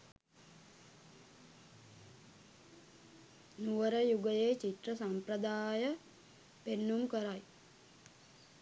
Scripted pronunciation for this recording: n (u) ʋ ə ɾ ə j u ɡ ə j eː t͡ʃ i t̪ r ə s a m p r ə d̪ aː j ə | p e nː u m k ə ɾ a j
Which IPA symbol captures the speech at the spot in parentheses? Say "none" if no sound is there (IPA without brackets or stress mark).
u